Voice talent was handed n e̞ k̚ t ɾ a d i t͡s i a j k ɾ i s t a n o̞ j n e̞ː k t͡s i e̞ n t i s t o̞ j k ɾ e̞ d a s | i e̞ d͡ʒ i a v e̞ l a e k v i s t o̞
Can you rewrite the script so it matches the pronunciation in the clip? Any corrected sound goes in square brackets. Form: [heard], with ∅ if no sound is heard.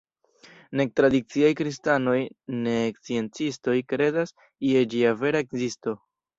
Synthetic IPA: n e̞ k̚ t ɾ a d i t͡s i a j k ɾ i s t a n o̞ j n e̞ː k t͡s i e̞ n [t͡s] i s t o̞ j k ɾ e̞ d a s | i e̞ d͡ʒ i a v e̞ [ɾ] a e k [z] i s t o̞